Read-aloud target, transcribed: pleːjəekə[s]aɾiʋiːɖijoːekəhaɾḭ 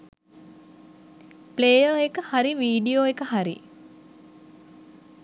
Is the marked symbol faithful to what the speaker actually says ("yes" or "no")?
no